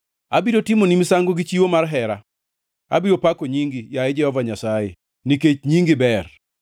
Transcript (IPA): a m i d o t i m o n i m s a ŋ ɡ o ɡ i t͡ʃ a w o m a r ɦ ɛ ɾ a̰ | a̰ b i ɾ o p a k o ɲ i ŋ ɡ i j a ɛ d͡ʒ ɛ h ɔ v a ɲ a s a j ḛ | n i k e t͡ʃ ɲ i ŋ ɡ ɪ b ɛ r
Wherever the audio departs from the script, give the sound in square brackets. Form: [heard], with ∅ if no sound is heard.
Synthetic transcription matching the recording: a [b] i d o t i m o n i m s a ŋ ɡ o ɡ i t͡ʃ [i] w o m a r ɦ ɛ ɾ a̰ | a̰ b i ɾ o p a k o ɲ i ŋ ɡ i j a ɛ d͡ʒ ɛ h ɔ v a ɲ a s a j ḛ | n i k e t͡ʃ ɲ i ŋ ɡ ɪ b ɛ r